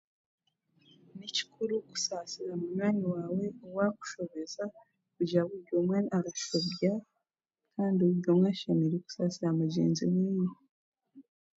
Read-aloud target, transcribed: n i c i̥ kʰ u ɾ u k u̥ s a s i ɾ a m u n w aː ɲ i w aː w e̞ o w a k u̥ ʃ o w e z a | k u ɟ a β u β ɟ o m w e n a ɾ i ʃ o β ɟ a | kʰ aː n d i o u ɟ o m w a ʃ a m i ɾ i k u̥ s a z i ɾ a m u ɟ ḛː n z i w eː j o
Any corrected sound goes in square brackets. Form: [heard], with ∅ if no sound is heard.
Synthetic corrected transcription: n i c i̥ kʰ u ɾ u k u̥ s a s i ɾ a m u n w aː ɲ i w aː w e̞ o w a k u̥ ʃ o [β] e z a | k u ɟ a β u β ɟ o m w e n a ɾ [a] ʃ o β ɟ a | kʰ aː n d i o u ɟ o m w a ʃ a m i ɾ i k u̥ s a [s] i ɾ a m u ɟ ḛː n z i w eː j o